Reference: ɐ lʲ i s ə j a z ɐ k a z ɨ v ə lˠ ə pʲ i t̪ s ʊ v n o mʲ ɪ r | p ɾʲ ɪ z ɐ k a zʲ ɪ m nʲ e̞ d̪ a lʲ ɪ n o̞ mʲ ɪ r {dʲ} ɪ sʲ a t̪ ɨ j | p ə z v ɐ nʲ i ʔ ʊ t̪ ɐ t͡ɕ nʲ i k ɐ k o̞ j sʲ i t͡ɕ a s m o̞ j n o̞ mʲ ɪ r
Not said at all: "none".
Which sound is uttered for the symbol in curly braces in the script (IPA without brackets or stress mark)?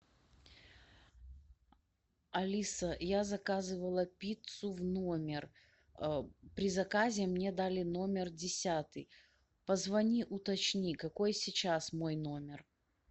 dʲ